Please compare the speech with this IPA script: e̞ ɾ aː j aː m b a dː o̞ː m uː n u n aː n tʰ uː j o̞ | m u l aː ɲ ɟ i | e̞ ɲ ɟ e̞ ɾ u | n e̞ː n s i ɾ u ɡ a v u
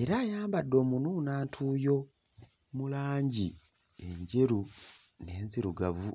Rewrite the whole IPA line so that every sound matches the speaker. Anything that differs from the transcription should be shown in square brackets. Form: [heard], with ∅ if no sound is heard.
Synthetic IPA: e̞ ɾ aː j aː m b a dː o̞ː m [u] n u n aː n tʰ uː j o̞ | m u l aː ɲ ɟ i | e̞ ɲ ɟ e̞ ɾ u | n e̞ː n [z] i ɾ u ɡ a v u